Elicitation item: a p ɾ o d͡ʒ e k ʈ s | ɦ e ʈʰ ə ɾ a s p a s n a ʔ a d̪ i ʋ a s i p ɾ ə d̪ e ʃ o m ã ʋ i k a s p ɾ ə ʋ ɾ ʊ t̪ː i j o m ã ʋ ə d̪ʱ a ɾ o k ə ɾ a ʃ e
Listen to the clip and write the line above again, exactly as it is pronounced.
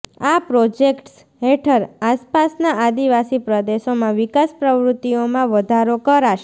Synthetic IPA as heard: a p ɾ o d͡ʒ e k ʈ s | ɦ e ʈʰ ə ɾ a s p a s n a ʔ a d̪ i ʋ a s i p ɾ ə d̪ e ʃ o m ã ʋ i k a s p ɾ ə ʋ ɾ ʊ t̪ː i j o m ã ʋ ə d̪ʱ a ɾ o k ə ɾ a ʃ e